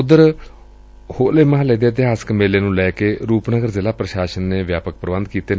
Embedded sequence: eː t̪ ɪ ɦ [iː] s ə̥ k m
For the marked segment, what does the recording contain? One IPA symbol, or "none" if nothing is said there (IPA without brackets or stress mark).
aː